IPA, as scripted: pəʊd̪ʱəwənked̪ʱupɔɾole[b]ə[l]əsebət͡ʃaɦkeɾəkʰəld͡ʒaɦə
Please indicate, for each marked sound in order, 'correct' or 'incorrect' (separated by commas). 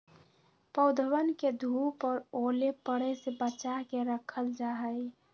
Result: incorrect, incorrect